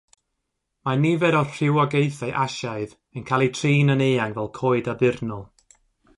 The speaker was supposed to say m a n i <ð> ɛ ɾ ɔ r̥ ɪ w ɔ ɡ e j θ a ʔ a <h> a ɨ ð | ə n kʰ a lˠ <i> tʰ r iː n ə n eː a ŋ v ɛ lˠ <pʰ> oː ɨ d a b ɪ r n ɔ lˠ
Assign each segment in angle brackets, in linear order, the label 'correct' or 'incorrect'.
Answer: incorrect: v, incorrect: ʃ, correct, incorrect: kʰ

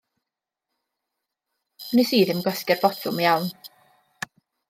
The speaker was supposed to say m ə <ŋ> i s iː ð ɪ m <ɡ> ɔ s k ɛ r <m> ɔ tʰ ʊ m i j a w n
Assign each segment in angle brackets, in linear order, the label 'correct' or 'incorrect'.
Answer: incorrect: n, correct, incorrect: b

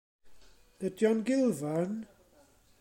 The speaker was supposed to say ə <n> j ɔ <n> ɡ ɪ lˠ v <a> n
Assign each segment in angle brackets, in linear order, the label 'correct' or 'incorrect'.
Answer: incorrect: d, correct, correct

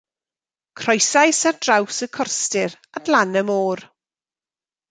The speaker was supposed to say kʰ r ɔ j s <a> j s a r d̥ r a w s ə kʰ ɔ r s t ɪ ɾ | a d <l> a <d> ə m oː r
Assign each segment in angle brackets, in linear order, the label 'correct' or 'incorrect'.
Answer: correct, correct, incorrect: n

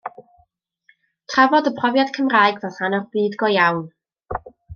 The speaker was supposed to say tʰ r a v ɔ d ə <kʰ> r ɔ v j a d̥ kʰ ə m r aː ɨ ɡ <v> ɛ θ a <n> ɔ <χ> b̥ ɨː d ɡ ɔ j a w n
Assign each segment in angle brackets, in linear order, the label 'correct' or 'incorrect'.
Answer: incorrect: pʰ, correct, correct, correct

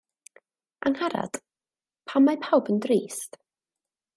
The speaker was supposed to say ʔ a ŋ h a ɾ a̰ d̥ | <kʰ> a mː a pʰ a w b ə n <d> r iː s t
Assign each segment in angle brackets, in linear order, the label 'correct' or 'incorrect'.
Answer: incorrect: pʰ, correct

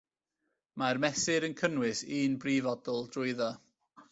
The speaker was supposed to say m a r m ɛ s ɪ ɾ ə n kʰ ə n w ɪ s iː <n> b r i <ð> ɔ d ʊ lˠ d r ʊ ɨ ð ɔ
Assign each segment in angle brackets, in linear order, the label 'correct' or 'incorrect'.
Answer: correct, incorrect: v

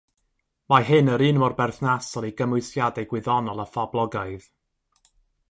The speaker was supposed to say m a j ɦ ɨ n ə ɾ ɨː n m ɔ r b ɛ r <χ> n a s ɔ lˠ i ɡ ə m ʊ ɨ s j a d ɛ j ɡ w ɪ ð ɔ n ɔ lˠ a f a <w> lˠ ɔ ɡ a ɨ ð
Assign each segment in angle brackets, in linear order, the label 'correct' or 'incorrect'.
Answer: incorrect: θ, incorrect: b

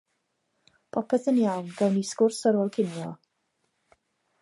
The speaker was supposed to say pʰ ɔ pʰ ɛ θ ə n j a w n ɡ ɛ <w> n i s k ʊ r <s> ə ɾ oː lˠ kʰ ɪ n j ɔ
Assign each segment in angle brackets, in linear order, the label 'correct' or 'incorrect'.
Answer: correct, correct

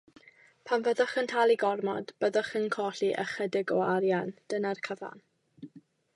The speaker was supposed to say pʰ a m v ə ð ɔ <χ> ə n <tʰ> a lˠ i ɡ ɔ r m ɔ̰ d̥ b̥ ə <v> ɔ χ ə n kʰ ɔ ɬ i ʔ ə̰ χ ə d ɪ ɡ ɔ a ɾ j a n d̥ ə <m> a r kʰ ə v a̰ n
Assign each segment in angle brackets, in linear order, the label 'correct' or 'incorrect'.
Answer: correct, correct, incorrect: ð, incorrect: n

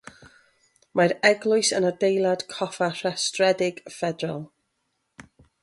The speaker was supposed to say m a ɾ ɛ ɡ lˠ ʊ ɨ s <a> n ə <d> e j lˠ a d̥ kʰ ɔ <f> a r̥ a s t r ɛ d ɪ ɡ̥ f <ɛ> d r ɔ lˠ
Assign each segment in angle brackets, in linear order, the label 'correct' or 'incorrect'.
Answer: incorrect: ə, correct, correct, correct

